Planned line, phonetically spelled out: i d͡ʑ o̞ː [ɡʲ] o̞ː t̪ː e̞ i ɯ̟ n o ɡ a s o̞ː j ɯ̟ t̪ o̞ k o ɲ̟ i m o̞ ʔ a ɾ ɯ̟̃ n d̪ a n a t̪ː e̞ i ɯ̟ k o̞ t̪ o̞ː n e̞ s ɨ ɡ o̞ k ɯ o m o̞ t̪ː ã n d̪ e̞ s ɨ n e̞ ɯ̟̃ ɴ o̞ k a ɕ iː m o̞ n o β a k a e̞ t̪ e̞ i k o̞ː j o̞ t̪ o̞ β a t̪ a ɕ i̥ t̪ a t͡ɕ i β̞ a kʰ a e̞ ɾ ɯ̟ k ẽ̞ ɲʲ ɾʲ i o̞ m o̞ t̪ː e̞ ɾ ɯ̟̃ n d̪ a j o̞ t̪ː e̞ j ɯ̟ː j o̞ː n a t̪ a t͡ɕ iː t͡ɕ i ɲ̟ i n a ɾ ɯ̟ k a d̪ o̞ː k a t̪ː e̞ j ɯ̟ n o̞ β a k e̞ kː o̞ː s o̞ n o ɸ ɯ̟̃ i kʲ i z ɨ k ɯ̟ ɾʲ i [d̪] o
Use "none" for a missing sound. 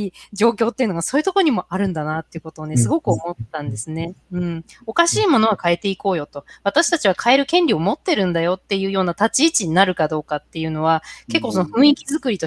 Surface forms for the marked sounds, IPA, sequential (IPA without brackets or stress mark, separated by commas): kʲ, t̪